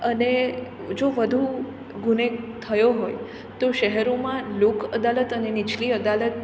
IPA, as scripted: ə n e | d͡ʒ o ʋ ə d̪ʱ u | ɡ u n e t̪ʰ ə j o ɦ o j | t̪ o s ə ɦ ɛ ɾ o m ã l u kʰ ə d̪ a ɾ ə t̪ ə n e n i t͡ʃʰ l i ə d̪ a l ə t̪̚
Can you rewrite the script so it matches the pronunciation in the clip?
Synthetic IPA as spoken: ə n e | d͡ʒ o ʋ ə d̪ʱ u | ɡ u n e t̪ʰ ə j o ɦ o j | t̪ o ʃ ə ɦ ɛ ɾ o m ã l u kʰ ə d̪ a l ə t̪ ə n e n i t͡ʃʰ l i ə d̪ a l ə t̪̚